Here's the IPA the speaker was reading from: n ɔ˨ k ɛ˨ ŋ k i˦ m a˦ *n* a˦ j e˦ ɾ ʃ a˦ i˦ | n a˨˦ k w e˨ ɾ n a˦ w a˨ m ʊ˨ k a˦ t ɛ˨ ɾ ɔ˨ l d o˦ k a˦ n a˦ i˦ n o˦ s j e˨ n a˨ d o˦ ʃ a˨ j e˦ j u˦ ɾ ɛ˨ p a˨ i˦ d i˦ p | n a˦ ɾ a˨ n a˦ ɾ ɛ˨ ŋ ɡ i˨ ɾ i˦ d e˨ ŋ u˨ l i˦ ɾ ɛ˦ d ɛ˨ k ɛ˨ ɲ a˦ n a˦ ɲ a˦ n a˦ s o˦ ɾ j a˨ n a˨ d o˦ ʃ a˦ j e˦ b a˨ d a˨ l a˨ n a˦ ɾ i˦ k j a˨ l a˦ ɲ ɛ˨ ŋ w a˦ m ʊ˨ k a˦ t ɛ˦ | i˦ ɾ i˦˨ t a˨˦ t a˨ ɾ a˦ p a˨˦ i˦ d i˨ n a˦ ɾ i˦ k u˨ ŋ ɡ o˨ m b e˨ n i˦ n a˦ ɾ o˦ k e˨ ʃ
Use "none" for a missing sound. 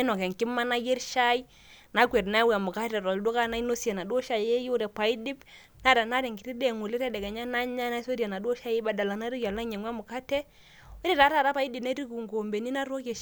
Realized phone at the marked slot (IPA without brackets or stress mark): n